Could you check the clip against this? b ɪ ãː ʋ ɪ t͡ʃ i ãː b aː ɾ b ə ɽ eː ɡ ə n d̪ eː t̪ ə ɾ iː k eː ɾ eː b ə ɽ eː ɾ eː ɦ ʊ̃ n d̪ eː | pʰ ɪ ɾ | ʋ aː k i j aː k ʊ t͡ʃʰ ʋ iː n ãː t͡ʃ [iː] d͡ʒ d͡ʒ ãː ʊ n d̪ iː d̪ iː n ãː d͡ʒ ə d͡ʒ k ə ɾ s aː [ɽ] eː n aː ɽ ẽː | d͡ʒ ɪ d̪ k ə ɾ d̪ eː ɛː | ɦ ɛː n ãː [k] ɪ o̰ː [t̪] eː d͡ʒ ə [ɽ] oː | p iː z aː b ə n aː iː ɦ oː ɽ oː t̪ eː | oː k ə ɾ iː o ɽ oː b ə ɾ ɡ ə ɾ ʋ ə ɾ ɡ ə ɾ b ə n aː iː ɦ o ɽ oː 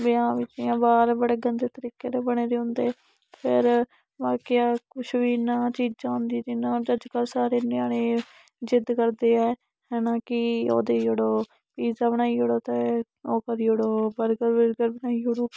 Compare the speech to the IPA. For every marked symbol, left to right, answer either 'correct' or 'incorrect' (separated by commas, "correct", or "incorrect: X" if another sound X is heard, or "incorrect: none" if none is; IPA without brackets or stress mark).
correct, incorrect: ɾ, correct, incorrect: d̪, correct